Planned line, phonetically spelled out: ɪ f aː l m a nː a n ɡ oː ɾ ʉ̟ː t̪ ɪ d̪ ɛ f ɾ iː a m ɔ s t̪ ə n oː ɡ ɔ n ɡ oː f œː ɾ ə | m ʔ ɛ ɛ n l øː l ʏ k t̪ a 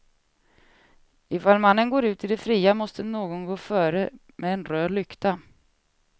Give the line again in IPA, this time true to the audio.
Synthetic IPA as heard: ɪ f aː l m a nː ə n ɡ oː ɾ ʉ̟ː t̪ ɪ d̪ ɛ f ɾ iː a m ɔ s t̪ ə n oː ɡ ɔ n ɡ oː f œː ɾ ə | m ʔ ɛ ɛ n ɾ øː l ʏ k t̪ a